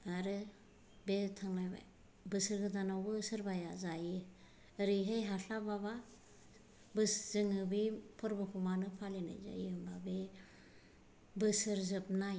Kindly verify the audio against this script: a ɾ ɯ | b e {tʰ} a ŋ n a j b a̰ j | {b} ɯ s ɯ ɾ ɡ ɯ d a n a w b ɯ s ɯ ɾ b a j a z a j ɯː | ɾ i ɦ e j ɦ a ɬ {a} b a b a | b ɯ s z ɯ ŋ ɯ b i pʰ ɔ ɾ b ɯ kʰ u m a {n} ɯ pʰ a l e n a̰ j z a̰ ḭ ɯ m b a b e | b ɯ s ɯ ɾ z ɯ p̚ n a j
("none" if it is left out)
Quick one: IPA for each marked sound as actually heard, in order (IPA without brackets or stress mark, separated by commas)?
tʰ, b, a, n